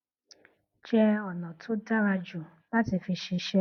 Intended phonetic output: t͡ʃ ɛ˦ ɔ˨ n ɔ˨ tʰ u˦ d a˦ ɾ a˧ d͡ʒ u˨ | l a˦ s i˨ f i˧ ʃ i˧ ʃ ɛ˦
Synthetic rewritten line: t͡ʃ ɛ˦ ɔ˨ n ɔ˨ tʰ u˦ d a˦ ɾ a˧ d͡ʒ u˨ | l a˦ t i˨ f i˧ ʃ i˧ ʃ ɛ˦